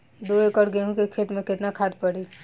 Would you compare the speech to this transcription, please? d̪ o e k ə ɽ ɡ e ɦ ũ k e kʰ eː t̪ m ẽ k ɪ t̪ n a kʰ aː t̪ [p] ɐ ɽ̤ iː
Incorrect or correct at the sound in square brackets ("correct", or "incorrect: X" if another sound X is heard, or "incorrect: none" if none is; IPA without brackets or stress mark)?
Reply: correct